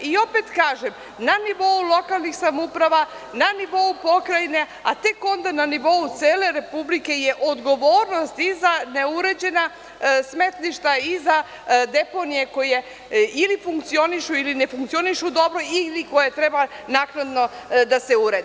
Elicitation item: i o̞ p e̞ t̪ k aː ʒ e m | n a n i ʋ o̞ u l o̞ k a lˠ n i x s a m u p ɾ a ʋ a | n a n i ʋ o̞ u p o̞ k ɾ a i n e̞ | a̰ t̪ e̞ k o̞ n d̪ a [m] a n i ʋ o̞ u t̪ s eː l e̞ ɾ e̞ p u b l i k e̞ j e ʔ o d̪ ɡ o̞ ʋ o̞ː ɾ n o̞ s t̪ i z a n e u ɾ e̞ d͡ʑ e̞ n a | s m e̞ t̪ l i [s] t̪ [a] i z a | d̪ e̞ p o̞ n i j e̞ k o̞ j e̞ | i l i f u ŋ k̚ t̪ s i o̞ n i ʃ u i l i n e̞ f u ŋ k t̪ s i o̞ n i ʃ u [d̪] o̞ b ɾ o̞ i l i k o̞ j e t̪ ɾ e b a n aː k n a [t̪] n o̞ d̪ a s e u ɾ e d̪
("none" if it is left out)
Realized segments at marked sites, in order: n, ʃ, a, d̪, d̪

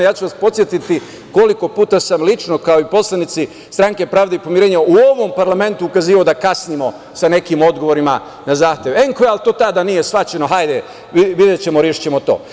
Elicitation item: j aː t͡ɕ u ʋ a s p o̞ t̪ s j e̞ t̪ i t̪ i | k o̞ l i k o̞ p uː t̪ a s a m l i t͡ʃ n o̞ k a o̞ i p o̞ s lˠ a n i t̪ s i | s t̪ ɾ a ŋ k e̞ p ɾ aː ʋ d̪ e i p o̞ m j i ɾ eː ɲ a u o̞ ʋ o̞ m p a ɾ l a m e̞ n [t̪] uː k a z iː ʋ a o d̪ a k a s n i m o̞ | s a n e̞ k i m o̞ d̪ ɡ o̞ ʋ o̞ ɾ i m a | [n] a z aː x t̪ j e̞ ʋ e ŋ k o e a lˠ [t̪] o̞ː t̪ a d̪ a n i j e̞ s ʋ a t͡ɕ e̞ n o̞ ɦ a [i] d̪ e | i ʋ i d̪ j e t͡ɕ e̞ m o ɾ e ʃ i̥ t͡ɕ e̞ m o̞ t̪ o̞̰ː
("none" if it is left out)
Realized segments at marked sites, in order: t̪, n, t̪, j

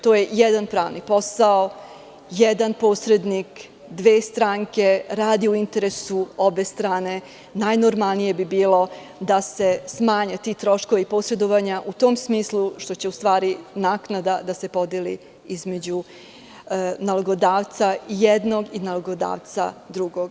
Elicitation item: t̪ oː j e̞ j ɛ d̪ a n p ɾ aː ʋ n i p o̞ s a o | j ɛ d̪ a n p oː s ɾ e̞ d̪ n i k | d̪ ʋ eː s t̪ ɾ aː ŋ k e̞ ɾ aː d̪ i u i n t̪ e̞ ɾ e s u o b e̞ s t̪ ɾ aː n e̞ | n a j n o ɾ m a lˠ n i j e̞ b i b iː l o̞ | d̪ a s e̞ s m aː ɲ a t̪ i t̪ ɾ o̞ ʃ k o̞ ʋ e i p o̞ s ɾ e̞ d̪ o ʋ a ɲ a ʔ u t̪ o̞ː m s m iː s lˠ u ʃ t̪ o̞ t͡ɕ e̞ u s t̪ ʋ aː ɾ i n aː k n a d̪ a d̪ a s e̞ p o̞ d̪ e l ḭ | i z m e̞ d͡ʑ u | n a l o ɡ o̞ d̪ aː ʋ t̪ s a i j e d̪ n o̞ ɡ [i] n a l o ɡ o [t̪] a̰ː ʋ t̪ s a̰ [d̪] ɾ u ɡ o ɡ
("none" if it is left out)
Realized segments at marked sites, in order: i, d̪, d̪

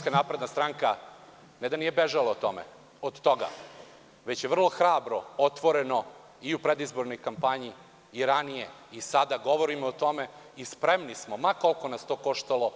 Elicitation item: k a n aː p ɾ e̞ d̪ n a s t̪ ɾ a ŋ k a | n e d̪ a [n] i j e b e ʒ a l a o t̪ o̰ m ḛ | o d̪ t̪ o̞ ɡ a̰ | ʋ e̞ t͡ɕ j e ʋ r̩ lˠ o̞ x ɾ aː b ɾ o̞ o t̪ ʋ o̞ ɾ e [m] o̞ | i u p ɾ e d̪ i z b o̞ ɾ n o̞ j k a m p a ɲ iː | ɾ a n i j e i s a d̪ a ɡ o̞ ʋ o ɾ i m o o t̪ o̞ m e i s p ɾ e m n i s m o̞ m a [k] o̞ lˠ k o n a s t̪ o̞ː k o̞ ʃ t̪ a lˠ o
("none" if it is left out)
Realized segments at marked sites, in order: n, n, k

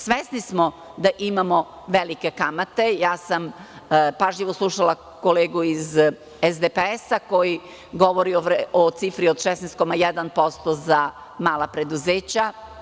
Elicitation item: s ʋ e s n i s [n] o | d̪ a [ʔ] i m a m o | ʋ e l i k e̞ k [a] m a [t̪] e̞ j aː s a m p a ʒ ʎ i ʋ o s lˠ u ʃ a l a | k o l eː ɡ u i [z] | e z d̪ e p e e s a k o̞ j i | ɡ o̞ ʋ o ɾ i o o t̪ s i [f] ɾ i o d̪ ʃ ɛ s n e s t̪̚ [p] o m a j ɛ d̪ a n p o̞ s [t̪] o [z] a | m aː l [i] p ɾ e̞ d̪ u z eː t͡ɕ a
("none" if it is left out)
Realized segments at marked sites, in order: m, ʔ, a, t̪, z, f, k, t̪, z, a

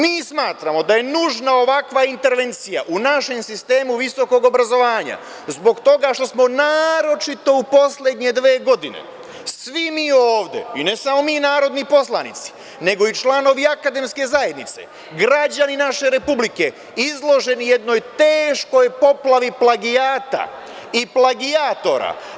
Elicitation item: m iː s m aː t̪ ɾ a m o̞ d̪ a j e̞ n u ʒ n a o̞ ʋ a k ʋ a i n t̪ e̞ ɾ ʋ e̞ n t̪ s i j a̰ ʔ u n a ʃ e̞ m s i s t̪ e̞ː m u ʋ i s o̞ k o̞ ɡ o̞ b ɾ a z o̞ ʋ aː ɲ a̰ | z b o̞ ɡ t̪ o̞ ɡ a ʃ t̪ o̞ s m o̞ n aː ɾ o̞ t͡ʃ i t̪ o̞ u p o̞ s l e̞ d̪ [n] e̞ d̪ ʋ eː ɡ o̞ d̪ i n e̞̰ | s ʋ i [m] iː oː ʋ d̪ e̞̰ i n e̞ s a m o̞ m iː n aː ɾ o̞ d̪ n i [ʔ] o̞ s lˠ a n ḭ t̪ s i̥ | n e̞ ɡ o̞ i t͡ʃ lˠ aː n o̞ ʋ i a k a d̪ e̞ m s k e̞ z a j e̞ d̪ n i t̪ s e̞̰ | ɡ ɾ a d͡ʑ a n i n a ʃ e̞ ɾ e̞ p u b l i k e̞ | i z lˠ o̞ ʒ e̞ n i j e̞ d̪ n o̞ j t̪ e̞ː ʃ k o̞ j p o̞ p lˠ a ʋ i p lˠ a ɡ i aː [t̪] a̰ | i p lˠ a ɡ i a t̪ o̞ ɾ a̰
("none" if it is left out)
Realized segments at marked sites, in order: ɲ, m, p, t̪

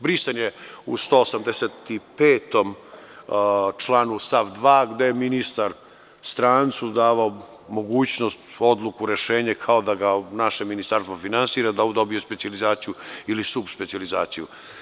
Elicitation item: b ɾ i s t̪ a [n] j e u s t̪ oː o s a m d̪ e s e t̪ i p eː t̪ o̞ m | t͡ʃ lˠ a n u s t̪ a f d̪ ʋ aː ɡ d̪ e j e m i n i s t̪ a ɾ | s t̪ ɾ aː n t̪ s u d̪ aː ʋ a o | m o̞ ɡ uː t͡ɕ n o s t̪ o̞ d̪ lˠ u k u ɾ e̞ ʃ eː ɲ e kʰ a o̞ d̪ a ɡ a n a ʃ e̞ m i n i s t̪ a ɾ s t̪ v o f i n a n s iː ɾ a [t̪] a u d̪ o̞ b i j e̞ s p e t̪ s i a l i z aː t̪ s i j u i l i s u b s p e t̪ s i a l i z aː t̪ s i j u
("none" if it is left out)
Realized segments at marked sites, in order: n, d̪

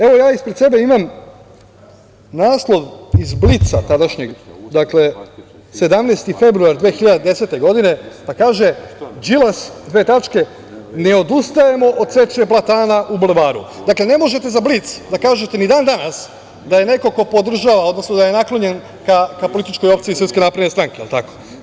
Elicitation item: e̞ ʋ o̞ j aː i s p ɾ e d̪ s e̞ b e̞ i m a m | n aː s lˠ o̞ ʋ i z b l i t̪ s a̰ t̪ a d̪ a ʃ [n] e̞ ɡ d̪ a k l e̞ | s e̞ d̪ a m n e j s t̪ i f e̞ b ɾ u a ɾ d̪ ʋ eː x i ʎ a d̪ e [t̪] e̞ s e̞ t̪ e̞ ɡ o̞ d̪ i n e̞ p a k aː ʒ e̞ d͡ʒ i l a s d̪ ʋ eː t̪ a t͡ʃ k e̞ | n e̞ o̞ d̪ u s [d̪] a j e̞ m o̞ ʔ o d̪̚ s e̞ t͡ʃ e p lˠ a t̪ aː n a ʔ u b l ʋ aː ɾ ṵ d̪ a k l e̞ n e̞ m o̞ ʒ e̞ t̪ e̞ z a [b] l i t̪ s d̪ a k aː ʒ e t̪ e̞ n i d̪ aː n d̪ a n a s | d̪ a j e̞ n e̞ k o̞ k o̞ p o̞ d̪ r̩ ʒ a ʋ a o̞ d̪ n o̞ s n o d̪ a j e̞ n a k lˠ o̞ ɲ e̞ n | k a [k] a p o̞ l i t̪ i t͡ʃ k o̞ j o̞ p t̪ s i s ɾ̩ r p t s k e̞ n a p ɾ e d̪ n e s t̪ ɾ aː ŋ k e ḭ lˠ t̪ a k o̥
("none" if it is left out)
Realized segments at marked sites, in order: ɲ, d̪, t̪, b, k

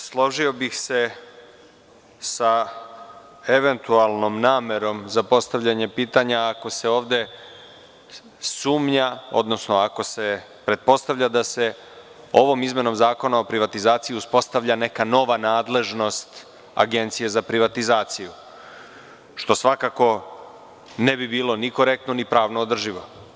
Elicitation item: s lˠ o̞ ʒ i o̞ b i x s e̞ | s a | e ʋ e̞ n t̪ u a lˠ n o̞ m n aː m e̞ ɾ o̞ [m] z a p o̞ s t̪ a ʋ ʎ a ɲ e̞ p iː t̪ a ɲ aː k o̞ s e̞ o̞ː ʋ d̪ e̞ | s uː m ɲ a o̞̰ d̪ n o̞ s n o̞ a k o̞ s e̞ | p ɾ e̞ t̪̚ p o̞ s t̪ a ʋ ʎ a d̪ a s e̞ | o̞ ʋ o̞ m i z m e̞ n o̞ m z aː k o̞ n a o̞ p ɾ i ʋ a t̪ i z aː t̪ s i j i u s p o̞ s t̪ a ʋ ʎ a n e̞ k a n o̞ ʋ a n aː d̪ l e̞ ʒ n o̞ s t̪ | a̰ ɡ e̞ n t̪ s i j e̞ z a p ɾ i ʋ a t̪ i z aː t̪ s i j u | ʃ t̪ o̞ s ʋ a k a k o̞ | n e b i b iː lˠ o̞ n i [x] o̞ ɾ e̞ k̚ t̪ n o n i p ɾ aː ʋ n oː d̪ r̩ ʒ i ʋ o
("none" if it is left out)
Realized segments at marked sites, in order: m, k

